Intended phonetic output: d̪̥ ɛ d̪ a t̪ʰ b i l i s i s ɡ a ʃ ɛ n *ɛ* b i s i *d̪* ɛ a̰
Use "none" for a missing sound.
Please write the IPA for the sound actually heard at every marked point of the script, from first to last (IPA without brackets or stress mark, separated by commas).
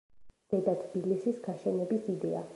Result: ɛ, d̪